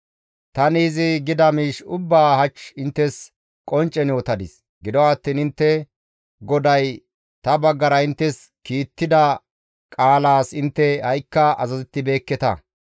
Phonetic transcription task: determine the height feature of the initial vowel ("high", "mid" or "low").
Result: low